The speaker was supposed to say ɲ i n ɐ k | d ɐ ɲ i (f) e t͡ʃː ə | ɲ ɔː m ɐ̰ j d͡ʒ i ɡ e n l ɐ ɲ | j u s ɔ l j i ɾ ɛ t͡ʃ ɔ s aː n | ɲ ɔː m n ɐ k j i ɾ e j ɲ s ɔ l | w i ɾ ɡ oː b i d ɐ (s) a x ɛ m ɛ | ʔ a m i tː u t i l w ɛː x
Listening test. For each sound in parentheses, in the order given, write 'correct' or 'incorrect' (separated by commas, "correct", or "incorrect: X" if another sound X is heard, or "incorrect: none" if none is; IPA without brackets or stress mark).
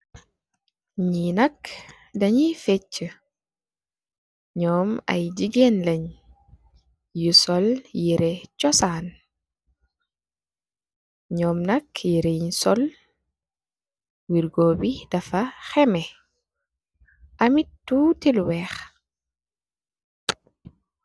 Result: correct, incorrect: f